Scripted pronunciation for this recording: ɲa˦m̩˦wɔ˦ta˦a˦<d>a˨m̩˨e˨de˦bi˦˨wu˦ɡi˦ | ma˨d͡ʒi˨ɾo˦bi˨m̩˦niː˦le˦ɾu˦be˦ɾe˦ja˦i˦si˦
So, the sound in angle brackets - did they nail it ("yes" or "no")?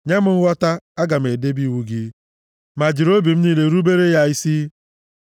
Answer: no